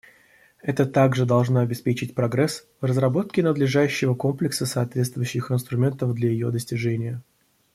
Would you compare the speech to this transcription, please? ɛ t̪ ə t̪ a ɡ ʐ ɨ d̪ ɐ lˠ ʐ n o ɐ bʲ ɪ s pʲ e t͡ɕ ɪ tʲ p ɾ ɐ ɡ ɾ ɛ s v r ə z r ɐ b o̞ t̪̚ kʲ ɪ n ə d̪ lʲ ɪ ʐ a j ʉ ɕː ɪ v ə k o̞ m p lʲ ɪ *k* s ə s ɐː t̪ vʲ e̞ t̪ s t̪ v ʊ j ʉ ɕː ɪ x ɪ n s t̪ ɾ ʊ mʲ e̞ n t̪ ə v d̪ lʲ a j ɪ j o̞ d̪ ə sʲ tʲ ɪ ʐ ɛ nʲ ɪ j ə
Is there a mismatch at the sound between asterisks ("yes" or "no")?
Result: no